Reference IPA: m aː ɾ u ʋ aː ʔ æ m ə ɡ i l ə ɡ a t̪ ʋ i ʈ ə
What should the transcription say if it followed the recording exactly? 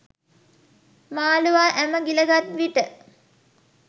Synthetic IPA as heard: m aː l u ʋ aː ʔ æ m ə ɡ i l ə ɡ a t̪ ʋ i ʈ ə